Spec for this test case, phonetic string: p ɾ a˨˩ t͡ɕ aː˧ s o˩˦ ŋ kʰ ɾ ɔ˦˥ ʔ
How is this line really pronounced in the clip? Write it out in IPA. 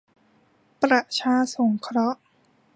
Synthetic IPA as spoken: p ɾ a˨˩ t͡ɕʰ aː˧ s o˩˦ ŋ kʰ ɾ ɔ˦˥ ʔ